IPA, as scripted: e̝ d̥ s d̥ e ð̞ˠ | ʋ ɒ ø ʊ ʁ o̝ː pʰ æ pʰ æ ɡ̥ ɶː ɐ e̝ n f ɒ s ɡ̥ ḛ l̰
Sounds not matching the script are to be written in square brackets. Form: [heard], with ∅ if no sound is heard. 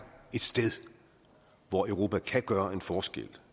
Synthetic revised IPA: e̝ d̥ s d̥ e ð̞ˠ | ʋ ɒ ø ʊ ʁ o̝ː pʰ æ [kʰ] æ ɡ̥ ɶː ɐ e̝ n f [ɒː] s ɡ̥ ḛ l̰